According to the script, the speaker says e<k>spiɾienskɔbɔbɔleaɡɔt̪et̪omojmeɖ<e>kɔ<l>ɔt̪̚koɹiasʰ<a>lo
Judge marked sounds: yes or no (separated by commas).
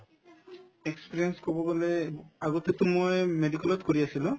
yes, no, yes, no